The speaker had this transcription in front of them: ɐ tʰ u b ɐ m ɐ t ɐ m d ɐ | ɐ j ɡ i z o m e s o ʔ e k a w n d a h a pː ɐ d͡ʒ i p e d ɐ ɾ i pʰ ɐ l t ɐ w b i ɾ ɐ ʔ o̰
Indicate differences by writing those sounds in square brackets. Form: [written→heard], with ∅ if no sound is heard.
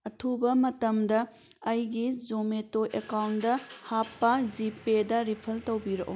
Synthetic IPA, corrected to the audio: ɐ tʰ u b ɐ m ɐ t ɐ m d ɐ | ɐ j ɡ i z o m e [s→t] o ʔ e k a w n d [a→ɐ] h a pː ɐ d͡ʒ i p e d ɐ ɾ i pʰ ɐ l t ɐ w b i ɾ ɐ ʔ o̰